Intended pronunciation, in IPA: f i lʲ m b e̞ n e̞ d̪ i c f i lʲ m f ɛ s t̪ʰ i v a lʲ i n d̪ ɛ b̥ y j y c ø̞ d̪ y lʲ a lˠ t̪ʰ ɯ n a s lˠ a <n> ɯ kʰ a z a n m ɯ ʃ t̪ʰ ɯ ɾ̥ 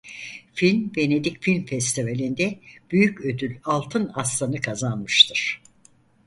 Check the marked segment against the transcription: correct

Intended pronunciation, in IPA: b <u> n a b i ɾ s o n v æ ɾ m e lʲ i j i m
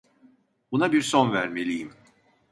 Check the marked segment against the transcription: correct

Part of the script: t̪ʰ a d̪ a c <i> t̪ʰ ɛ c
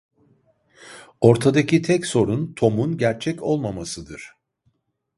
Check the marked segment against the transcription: correct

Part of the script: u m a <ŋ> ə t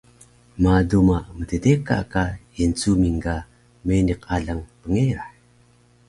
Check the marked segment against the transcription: incorrect: m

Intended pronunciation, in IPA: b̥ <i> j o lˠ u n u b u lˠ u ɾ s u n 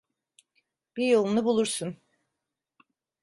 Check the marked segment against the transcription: correct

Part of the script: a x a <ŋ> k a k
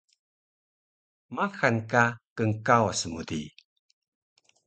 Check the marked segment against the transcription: incorrect: n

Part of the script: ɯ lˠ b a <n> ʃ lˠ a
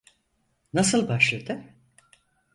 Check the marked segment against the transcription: incorrect: none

